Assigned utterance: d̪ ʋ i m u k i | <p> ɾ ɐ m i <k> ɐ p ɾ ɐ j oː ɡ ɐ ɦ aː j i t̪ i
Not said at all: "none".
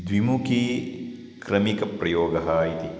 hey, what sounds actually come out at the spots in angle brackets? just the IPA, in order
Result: k, k

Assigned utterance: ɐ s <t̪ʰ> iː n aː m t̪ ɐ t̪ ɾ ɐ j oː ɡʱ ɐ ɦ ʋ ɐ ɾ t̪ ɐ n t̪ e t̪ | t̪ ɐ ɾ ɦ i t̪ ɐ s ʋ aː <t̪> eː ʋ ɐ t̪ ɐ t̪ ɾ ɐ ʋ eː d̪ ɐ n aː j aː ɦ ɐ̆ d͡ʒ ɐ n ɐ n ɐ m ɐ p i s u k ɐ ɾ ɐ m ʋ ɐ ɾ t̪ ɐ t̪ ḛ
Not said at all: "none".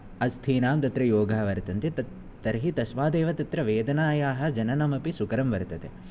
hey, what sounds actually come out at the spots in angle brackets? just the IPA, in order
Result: t̪ʰ, d̪

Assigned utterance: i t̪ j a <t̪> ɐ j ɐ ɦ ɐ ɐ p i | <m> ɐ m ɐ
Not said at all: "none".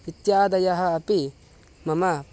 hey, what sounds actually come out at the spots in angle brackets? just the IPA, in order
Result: d̪, m

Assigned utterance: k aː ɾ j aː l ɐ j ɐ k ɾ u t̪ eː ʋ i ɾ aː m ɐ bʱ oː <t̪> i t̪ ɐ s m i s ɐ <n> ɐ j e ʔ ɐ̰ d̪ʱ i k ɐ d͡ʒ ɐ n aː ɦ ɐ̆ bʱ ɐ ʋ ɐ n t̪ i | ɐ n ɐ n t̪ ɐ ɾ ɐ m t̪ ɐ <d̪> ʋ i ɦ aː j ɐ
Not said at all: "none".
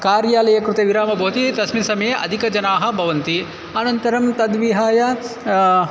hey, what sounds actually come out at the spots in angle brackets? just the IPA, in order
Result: t̪, m, d̪

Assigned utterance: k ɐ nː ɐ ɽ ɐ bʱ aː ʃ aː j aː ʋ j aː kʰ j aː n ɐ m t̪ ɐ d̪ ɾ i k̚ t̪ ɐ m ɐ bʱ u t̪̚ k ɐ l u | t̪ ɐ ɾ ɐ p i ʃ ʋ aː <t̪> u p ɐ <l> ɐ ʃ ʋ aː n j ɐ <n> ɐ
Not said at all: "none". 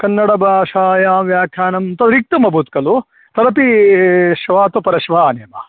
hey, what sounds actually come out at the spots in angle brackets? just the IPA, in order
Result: t̪, ɾ, m

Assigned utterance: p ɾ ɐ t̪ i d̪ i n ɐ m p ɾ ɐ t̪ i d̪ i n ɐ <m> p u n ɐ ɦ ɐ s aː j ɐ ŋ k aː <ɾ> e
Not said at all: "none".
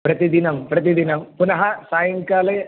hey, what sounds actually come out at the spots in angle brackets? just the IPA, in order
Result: m, l

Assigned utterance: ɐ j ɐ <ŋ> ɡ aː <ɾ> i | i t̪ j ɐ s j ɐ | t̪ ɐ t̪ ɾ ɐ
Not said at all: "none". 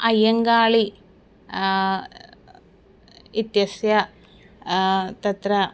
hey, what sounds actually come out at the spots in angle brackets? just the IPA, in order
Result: ŋ, ɭ

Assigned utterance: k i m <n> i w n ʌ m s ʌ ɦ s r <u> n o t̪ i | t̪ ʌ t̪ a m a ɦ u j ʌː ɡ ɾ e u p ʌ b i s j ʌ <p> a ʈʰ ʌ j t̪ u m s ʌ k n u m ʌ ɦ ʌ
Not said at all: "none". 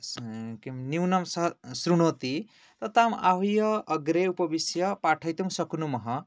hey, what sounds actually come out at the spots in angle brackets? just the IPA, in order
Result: n, u, p

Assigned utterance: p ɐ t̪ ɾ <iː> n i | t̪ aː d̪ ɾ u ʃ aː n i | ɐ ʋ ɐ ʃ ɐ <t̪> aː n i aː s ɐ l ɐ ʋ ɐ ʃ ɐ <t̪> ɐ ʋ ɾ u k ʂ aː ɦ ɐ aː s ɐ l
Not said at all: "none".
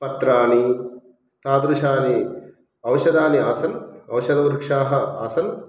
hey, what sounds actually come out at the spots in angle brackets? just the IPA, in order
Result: aː, d̪, d̪

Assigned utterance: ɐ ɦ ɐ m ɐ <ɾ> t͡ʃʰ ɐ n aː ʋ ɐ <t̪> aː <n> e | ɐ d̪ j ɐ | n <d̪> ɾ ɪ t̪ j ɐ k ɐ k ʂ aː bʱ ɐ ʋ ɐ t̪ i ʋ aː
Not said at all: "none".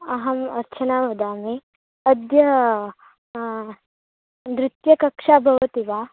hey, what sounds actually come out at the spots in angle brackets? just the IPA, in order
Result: ɾ, d̪, m, d̪

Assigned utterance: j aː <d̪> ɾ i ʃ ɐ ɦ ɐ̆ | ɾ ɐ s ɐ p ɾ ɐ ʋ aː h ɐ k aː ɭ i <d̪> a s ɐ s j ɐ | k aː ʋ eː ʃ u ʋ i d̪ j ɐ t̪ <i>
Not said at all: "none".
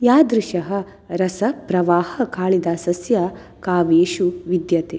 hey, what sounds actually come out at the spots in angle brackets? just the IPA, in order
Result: d̪, d̪, e

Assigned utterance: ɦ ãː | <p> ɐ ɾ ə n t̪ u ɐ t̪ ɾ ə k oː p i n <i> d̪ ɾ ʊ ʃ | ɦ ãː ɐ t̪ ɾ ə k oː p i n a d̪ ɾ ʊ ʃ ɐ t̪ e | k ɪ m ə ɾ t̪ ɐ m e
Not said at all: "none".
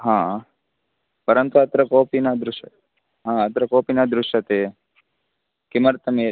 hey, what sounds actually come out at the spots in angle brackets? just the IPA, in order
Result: p, a

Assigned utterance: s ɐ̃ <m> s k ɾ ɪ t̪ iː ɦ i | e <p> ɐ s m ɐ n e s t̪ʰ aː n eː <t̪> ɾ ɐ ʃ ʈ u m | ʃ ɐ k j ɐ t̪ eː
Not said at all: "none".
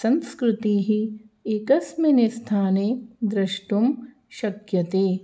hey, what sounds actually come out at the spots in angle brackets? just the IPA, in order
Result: n, k, d̪

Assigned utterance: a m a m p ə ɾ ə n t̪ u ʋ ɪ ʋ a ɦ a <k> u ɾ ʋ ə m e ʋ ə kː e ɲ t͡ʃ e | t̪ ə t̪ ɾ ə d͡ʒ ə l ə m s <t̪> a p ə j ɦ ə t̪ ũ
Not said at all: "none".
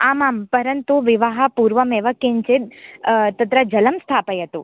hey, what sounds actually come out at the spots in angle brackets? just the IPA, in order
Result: p, t̪ʰ

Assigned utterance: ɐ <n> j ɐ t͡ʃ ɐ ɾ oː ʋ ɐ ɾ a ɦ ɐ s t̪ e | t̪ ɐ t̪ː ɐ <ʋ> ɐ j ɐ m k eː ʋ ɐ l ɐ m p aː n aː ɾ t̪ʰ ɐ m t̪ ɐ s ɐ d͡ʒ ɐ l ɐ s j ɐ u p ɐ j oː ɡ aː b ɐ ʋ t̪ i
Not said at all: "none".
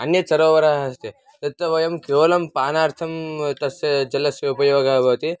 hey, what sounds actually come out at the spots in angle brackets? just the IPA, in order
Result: n, ʋ

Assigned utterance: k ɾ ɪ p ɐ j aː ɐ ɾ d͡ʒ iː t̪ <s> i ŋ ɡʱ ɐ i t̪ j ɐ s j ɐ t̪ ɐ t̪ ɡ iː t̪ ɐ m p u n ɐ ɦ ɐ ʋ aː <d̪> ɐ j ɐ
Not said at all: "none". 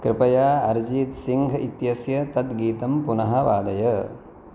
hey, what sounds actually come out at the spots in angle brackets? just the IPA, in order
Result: s, d̪

